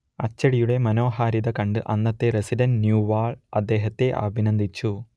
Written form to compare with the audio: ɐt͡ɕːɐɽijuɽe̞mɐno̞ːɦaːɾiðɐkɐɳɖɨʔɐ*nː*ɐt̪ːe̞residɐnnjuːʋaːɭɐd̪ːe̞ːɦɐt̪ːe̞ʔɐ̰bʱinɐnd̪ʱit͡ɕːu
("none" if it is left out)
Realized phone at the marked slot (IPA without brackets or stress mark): nː